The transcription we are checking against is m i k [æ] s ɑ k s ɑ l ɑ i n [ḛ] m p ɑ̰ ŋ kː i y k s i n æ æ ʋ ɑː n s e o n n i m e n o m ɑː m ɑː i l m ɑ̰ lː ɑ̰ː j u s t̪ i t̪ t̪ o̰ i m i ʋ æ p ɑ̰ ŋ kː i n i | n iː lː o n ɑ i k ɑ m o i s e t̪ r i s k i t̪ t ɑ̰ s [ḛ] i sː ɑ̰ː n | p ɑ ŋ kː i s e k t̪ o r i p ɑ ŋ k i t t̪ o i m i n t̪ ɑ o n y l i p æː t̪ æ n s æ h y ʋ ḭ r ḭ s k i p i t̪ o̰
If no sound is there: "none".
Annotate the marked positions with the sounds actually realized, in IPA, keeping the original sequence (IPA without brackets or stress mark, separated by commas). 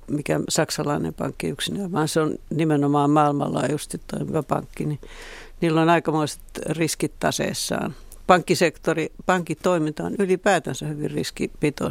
æ, ḛ, ḛ